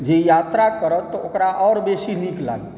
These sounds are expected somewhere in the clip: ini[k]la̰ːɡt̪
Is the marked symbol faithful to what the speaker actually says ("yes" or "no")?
yes